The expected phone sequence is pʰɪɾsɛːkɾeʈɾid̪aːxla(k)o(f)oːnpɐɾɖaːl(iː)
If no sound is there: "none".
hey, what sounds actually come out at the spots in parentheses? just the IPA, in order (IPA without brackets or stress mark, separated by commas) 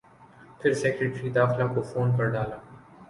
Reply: k, f, aː